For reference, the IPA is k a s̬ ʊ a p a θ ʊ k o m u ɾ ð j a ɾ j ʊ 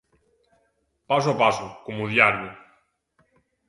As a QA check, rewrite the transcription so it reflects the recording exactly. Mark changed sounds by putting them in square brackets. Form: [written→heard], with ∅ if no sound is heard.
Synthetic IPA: [k→p] a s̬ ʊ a p a [θ→s] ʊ k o m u [ɾ→∅] ð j a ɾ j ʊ